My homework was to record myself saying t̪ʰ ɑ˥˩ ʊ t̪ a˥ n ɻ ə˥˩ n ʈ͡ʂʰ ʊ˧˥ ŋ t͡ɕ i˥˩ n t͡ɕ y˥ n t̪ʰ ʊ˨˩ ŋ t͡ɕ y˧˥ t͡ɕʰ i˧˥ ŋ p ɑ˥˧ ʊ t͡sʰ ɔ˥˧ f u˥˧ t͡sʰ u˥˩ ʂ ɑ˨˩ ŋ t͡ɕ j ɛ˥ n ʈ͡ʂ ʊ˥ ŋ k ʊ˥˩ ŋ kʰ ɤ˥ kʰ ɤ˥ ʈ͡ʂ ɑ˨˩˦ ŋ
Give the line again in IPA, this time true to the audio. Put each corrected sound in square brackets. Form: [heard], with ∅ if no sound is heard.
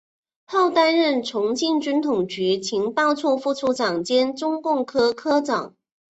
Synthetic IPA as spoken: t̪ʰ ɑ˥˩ ʊ t̪ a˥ n ɻ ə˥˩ n ʈ͡ʂʰ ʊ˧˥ ŋ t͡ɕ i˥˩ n t͡ɕ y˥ n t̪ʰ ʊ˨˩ ŋ t͡ɕ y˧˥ t͡ɕʰ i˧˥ ŋ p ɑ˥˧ ʊ t͡sʰ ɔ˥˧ f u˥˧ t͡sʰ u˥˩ [ʈ͡ʂ] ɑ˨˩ ŋ t͡ɕ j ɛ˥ n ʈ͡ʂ ʊ˥ ŋ k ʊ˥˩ ŋ kʰ ɤ˥ kʰ ɤ˥ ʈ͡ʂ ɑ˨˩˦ ŋ